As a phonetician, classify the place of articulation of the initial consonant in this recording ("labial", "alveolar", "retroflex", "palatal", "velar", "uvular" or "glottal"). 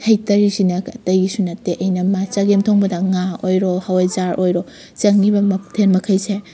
glottal